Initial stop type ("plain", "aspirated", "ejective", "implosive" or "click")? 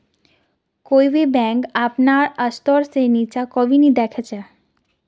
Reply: plain